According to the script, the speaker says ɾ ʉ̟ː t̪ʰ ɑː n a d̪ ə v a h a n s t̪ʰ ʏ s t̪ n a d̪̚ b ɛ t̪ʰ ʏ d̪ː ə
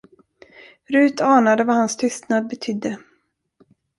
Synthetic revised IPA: ɾ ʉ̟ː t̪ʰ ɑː n a d̪ ə v a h a n s t̪ʰ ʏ s t̪ n a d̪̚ b ɛ t̪ʰ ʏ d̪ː ə